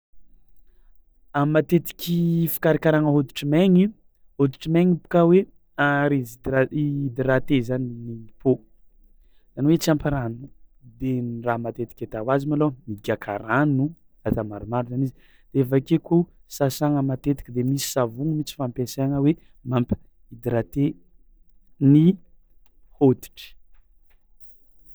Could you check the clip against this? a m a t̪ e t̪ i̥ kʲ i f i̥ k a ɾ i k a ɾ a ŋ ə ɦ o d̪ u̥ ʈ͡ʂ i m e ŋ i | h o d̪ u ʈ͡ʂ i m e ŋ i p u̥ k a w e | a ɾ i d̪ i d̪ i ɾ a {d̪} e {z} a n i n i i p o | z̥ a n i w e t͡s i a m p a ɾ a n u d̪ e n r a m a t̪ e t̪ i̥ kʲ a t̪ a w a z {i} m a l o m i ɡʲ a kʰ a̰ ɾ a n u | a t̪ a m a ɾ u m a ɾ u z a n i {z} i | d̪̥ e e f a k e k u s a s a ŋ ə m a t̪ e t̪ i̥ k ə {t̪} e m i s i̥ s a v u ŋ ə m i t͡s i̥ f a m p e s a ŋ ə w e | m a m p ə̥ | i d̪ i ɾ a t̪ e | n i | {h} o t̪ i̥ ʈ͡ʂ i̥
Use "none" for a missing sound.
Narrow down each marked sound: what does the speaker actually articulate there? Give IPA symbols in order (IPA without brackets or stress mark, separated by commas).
t̪, z, i, z, d̪, h